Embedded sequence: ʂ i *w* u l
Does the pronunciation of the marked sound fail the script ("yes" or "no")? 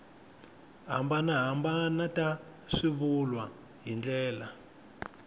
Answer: yes